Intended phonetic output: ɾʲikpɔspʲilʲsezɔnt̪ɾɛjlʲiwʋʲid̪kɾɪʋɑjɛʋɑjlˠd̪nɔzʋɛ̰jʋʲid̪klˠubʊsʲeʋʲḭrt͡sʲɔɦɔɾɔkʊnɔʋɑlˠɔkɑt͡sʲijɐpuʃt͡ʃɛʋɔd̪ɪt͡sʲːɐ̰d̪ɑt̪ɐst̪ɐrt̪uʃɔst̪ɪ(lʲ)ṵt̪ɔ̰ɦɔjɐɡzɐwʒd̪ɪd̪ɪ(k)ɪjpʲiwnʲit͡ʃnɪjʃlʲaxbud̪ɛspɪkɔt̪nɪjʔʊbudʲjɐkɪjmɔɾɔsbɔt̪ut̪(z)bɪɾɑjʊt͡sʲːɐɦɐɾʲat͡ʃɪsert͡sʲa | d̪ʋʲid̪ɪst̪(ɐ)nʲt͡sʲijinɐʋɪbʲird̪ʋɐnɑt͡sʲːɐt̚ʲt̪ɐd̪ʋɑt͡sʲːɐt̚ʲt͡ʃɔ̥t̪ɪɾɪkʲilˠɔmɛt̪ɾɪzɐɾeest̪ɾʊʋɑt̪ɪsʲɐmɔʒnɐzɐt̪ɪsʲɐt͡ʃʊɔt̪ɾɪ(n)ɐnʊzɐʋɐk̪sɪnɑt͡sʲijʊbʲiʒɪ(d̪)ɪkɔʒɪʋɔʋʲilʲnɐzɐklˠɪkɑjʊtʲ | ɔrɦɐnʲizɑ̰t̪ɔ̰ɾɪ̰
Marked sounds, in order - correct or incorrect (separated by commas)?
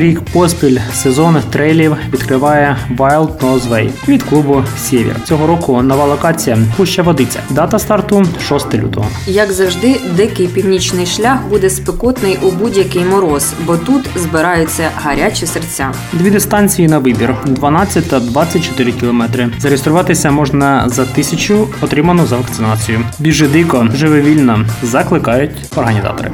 correct, correct, correct, incorrect, incorrect, correct